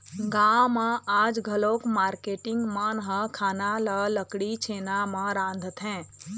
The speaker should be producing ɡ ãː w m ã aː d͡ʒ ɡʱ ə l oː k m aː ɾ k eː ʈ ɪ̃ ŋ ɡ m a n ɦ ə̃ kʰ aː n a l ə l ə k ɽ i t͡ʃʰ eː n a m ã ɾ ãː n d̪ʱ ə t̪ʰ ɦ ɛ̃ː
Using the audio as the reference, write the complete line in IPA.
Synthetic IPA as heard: ɡ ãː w m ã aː d͡ʒ ɡʱ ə l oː k m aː ɾ k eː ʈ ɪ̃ ŋ ɡ m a n ɦ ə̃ kʰ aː n a l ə l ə k ɽ i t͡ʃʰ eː n a m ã ɾ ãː n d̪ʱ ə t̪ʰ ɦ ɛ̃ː